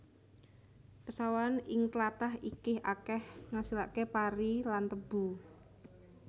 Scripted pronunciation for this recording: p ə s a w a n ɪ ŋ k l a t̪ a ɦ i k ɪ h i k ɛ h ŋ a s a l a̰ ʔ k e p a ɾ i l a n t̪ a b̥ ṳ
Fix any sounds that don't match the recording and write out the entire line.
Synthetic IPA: p ə s a w a n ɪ ŋ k l a t̪ a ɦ i k ɪ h a k ɛ h ŋ a s i l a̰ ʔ k e p a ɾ i l a n t̪ ə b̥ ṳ